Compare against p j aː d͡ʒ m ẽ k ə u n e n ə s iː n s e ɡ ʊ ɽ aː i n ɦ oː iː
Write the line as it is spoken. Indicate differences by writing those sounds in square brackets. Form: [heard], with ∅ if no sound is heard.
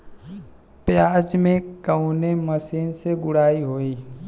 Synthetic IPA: p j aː d͡ʒ m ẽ k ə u n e [m] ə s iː n s e ɡ ʊ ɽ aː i [∅] ɦ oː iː